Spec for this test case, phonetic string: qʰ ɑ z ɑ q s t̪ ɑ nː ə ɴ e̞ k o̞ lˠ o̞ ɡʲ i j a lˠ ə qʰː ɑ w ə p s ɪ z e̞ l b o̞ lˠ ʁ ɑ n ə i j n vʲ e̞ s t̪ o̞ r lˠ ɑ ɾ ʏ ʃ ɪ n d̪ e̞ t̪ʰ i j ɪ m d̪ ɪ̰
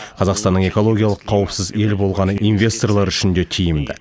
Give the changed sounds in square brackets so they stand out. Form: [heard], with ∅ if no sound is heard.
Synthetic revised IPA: qʰ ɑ z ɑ q s t̪ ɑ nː ə ɴ e̞ k o̞ lˠ o̞ ɡʲ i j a lˠ ə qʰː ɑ w ə p s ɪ z e̞ l b o̞ lˠ ʁ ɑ n ə i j n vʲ e̞ s t̪ o̞ r lˠ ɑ ɾ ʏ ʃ ɪ n d̪ e̞ t̪ʰ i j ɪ m d̪ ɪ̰